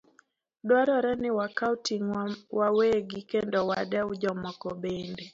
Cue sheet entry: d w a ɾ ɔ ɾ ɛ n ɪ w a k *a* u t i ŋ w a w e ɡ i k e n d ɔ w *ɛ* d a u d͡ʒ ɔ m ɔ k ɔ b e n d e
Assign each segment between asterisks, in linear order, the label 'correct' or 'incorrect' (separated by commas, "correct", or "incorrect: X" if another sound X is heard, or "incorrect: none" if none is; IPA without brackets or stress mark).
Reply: correct, incorrect: a